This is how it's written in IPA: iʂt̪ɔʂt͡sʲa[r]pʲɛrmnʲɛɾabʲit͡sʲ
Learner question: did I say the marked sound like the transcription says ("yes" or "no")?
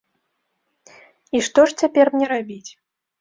no